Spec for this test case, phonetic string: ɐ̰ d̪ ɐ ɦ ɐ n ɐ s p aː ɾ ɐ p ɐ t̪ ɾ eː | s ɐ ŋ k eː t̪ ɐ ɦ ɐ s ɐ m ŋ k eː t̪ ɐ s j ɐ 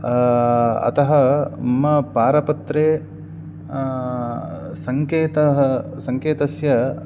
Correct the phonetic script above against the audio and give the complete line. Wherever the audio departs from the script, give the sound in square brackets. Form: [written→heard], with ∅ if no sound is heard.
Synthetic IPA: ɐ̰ [d̪→t̪] ɐ ɦ ɐ [n→m] ɐ [s→∅] p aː ɾ ɐ p ɐ t̪ ɾ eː | s ɐ ŋ k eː t̪ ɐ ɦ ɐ s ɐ [m→∅] ŋ k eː t̪ ɐ s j ɐ